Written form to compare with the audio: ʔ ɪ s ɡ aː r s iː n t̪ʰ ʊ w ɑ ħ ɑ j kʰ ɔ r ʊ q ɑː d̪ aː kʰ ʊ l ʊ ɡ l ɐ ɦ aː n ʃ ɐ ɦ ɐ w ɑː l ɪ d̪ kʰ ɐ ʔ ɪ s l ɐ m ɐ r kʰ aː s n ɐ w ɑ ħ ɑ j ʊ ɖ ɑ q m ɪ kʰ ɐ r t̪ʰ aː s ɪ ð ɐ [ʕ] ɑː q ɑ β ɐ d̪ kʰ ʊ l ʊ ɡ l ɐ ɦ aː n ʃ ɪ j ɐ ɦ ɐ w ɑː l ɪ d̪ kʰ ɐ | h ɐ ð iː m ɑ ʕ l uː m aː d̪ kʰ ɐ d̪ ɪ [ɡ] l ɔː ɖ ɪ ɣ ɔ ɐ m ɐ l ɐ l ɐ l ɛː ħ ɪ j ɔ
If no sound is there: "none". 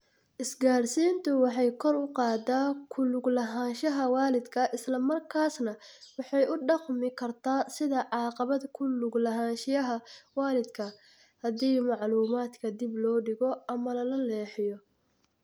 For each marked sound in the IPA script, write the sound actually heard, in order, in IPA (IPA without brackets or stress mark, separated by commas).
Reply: ʕ, b